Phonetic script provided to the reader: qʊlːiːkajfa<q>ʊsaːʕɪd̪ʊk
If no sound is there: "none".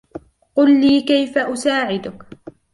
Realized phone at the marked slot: ʔ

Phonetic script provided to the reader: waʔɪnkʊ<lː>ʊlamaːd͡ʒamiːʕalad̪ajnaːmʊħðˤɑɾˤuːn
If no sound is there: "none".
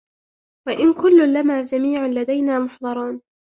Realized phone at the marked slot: lː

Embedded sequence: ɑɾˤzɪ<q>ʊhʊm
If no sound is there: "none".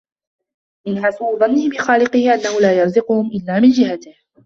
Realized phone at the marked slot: q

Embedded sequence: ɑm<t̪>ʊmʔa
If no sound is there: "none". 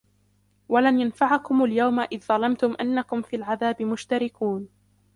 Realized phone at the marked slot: t̪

